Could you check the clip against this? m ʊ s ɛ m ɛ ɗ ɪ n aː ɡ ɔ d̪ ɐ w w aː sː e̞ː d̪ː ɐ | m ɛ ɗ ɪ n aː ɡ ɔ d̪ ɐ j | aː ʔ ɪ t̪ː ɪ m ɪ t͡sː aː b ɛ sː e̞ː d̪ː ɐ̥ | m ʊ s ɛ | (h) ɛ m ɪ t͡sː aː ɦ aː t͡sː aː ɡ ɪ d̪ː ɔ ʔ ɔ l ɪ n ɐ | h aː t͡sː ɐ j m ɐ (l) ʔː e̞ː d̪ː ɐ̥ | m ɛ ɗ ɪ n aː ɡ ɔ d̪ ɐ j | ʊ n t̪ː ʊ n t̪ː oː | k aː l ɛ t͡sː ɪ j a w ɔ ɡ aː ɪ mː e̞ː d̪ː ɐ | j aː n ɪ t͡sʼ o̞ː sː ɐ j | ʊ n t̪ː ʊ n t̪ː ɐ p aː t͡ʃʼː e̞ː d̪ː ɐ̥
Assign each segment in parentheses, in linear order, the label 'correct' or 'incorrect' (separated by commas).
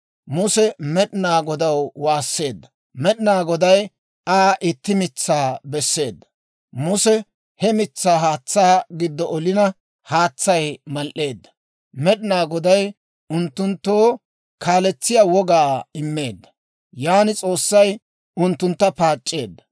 correct, correct